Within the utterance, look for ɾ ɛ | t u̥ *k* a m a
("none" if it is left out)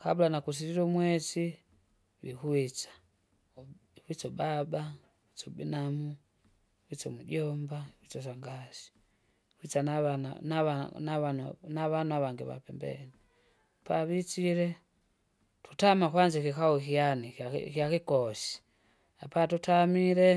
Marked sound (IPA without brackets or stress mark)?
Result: t